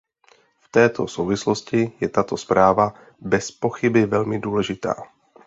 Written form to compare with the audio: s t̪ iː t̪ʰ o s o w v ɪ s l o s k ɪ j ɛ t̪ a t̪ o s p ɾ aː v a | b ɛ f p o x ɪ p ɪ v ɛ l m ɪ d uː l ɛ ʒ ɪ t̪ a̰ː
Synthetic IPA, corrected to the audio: f t̪ ɛː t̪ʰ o s o w v ɪ s l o s c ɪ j ɛ t̪ a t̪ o s p ɾ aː v a | b ɛ s p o x ɪ b ɪ v ɛ l m ɪ d uː l ɛ ʒ ɪ t̪ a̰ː